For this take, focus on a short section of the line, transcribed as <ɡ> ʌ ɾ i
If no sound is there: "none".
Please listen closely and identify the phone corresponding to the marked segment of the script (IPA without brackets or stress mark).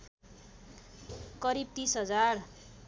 k